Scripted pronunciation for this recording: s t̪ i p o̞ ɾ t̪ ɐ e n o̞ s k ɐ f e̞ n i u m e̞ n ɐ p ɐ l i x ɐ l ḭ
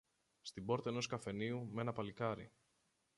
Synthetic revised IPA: s t̪ i b o̞ ɾ t̪ ɐ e n o̞ s k ɐ f e̞ n i u m e̞ n ɐ p ɐ l i k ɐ ɾ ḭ